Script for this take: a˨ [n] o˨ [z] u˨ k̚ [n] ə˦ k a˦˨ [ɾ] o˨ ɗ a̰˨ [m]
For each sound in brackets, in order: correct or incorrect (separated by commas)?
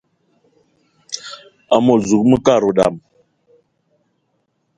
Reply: incorrect, correct, incorrect, correct, correct